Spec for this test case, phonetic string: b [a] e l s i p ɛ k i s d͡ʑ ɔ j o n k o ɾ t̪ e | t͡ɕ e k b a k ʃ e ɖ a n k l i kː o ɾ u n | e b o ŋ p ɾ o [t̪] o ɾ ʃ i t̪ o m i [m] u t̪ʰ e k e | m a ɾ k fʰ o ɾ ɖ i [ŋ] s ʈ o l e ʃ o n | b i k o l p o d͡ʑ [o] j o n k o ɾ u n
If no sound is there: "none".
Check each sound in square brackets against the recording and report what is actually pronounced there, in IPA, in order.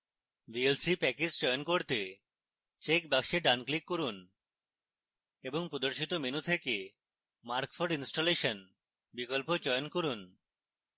i, d̪, n, n, ɔ

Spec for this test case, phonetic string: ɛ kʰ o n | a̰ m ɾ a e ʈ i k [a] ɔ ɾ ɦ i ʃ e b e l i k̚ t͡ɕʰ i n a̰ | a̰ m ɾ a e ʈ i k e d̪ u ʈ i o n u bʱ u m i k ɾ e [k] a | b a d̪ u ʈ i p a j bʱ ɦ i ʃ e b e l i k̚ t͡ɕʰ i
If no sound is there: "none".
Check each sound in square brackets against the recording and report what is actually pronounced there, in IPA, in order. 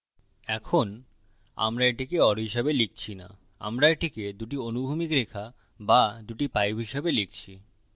e, kʰ

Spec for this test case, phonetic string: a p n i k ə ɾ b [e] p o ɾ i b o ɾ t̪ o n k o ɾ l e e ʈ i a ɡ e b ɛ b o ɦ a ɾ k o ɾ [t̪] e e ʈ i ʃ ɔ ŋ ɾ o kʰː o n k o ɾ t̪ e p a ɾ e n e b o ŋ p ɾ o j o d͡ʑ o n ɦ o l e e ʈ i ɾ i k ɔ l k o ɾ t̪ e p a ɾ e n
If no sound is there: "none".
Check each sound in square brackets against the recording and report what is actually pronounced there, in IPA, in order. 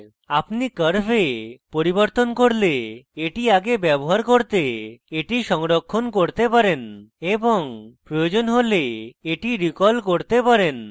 e, t̪

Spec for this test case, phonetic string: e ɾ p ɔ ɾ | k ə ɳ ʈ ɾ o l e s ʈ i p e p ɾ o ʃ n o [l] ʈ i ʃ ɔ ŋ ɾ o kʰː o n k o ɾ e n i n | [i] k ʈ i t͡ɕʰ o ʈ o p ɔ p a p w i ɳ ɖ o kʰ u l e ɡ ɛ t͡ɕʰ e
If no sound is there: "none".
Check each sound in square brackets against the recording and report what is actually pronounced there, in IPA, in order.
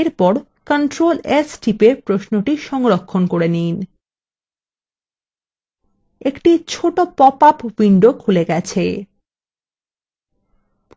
none, e

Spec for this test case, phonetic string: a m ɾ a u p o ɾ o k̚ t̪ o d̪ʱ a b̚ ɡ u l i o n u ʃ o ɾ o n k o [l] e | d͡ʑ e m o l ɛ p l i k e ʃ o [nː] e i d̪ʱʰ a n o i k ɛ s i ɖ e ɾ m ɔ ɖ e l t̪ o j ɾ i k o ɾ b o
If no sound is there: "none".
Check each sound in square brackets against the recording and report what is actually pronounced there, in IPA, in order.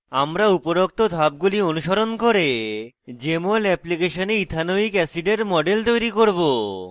ɾ, n

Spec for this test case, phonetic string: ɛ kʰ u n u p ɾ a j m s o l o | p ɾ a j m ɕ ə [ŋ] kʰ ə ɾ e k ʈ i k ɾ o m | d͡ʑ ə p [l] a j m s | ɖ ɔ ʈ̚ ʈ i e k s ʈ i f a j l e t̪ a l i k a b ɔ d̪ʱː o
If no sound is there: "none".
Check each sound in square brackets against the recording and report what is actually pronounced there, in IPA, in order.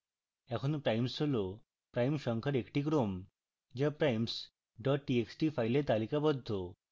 ŋ, ɾ

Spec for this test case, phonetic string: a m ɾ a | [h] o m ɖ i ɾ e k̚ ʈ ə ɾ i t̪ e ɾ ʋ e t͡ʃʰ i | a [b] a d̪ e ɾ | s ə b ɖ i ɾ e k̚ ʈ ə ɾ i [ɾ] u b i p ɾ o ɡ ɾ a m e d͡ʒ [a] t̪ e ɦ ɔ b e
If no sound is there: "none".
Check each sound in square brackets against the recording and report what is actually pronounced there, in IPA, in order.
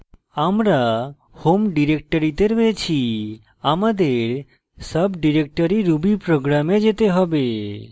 h, m, ɾ, e

